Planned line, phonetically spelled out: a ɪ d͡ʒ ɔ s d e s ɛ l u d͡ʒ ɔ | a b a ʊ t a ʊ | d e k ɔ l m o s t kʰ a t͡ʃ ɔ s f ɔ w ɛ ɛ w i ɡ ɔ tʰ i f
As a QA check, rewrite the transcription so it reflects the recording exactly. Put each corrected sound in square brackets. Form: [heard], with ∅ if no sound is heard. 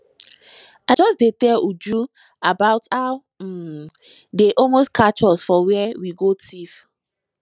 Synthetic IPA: a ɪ d͡ʒ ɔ s d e [t] ɛ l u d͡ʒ [u] | a b a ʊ t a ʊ | d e [ʔ] ɔ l m o s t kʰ a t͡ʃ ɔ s f ɔ w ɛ ɛ w i ɡ [o] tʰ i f